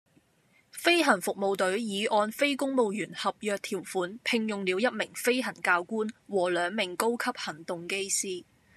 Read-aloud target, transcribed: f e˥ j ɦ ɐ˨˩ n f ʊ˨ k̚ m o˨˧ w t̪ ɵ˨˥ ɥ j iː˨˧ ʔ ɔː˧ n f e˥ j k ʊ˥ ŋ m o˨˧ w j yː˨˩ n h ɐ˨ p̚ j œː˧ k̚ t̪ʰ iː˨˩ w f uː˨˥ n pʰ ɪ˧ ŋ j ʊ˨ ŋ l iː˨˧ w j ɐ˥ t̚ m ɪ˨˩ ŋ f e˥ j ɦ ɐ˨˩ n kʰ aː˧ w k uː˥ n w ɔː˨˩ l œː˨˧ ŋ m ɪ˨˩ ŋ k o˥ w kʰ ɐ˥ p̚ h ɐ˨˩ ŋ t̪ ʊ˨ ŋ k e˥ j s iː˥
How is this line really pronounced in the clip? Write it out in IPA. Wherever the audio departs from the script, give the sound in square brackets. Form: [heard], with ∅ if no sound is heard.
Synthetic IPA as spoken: f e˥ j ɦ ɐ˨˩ n f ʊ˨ k̚ m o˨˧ w t̪ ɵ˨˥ ɥ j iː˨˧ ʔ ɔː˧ n f e˥ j k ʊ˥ ŋ m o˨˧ w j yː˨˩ n h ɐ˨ p̚ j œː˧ k̚ t̪ʰ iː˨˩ w f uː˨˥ n pʰ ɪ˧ ŋ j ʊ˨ ŋ l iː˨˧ w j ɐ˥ t̚ m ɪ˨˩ ŋ f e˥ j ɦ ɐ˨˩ n [k] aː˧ w k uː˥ n w ɔː˨˩ l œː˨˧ ŋ m ɪ˨˩ ŋ k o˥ w kʰ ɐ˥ p̚ h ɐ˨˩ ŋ t̪ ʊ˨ ŋ k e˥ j s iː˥